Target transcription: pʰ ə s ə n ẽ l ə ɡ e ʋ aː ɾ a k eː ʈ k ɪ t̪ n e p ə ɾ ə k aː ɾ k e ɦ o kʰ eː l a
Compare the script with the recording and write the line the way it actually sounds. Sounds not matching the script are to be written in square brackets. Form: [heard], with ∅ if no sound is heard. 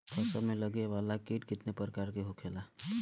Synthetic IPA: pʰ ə s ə [m] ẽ l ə ɡ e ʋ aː [l] a k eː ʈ k ɪ t̪ n e p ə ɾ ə k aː ɾ k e ɦ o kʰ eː l a